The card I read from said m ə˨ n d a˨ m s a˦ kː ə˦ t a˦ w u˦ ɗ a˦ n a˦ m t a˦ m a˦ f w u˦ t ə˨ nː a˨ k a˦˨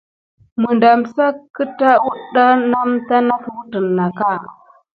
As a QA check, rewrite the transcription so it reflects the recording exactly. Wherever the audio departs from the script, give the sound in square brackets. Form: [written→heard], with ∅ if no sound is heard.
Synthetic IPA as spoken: m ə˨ n d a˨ m s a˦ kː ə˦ t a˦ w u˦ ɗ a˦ n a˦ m t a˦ [m→n] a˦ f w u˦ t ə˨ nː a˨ k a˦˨